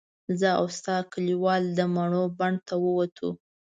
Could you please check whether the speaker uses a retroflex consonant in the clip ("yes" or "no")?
yes